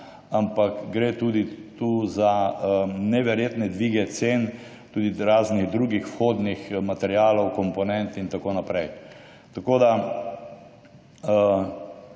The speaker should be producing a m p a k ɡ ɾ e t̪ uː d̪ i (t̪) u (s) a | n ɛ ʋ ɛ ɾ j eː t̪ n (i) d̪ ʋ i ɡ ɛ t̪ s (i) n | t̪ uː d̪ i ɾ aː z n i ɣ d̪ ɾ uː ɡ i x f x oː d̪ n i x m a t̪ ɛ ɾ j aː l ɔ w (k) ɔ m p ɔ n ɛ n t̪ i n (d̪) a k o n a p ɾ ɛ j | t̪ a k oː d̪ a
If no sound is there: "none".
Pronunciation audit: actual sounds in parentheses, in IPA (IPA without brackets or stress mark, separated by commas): t̪, z, ɛ, e, k, t̪